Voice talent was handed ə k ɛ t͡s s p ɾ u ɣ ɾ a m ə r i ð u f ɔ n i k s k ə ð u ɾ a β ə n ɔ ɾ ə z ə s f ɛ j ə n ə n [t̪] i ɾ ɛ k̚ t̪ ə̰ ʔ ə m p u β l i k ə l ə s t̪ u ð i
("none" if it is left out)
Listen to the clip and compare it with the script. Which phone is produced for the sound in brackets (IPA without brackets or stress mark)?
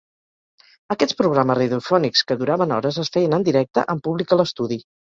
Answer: d̪